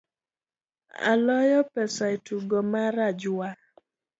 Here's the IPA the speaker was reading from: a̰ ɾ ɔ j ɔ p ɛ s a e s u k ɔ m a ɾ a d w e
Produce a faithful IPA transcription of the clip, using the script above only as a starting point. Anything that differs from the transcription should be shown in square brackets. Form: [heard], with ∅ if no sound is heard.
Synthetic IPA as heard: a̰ [l] ɔ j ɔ p ɛ s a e [t] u [ɡ] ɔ m a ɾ a [d͡ʒ] w [a]